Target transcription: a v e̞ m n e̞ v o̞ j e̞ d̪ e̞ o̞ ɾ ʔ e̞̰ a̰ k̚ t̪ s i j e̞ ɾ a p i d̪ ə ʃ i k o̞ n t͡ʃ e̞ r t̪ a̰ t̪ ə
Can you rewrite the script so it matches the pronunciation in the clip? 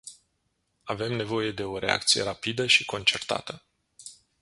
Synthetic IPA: a v e̞ m n e̞ v o̞ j e̞ d̪ e̞ o̞ ɾ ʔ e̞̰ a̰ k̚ t̪ s i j e̞ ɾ a p i d̪ ə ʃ i k o̞ n t͡ʃ e̞ r t̪ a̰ t̪ ə